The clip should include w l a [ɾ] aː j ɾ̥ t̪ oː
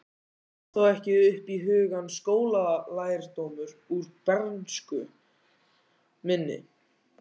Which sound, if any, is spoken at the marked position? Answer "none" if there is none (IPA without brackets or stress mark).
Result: l